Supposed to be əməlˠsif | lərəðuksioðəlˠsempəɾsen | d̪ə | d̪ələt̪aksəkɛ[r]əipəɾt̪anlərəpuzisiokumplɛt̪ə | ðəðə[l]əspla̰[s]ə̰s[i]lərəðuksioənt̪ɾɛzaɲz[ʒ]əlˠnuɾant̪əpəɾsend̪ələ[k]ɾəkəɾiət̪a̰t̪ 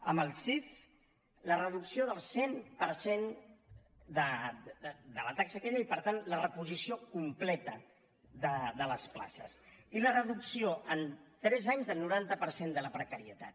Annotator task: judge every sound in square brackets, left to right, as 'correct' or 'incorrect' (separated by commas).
incorrect, correct, correct, correct, incorrect, incorrect